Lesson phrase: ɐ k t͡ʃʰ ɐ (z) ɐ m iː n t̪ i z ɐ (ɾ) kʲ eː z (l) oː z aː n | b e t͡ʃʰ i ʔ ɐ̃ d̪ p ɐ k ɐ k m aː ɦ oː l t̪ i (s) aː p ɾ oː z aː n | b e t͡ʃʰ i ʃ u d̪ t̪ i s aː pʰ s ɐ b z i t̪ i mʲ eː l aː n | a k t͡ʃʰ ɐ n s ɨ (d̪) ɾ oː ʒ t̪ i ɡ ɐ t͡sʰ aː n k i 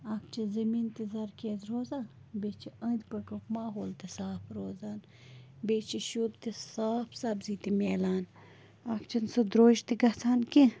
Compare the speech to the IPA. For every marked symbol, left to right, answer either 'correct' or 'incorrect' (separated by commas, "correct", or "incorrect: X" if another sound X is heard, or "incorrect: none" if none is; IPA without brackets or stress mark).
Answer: correct, correct, incorrect: ɾ, correct, correct